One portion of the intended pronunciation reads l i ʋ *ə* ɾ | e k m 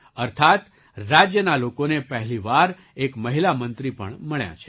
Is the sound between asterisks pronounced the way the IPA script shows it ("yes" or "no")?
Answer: no